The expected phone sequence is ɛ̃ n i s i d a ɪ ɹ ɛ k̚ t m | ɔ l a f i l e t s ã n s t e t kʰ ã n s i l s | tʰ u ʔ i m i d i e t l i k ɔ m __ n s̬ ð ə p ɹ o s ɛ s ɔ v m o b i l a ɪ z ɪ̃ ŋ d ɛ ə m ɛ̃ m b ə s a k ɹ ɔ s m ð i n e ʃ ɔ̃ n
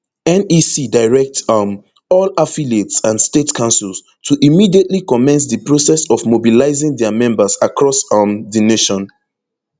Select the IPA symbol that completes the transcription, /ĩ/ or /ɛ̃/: ɛ̃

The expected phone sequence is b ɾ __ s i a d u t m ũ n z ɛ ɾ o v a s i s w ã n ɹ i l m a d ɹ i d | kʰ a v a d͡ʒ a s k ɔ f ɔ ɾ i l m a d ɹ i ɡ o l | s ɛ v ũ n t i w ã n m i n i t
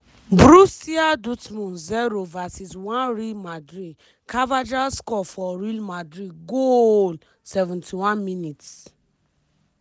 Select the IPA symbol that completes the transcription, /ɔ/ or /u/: u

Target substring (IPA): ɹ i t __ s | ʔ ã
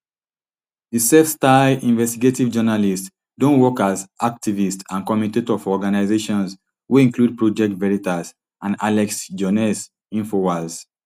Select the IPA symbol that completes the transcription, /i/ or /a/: a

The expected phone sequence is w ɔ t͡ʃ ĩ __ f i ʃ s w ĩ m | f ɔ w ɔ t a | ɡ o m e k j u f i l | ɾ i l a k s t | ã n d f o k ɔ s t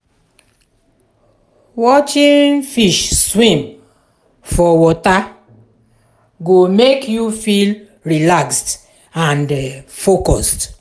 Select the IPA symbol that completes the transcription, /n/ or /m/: n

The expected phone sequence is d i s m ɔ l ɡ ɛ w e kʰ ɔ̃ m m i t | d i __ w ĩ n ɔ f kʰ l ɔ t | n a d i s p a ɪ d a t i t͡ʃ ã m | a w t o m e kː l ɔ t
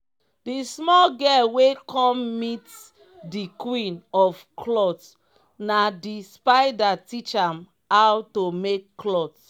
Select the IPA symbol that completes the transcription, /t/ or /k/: k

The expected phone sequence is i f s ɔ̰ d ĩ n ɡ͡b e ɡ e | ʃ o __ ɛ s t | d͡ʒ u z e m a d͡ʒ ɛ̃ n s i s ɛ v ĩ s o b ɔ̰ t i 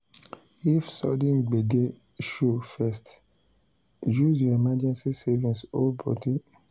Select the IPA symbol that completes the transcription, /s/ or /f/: f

